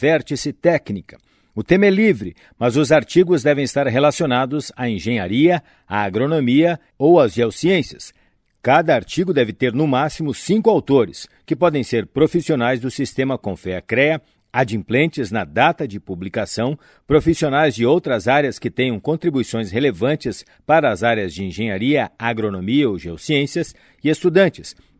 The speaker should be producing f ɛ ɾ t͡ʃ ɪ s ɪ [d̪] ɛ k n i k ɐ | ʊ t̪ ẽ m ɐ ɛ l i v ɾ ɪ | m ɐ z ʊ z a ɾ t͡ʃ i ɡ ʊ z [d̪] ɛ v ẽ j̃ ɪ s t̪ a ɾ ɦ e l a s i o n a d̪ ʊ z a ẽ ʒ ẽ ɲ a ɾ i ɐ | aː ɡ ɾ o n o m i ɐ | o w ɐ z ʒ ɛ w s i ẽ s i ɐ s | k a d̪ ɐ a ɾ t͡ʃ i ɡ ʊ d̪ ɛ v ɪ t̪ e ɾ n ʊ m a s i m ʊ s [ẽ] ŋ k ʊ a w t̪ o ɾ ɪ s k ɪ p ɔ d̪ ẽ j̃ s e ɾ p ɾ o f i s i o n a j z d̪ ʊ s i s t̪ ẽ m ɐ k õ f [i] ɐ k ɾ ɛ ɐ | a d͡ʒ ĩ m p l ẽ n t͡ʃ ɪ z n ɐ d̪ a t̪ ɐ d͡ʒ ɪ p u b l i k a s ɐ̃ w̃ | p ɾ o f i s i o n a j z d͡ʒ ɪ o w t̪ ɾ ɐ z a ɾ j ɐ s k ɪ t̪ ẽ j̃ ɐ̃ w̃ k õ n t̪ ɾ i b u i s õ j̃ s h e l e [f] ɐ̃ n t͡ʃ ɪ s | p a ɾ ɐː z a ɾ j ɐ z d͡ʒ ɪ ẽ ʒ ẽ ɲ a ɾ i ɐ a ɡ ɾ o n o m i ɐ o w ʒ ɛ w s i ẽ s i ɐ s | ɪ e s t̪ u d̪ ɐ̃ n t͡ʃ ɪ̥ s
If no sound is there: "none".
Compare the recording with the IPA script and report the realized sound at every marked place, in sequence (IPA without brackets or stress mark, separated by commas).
t̪, d̪, ĩ, ɛ, v